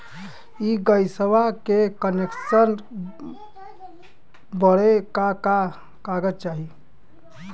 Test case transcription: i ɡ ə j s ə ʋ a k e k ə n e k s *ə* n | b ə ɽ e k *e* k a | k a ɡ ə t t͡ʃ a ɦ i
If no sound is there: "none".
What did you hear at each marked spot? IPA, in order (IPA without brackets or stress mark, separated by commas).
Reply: ə, a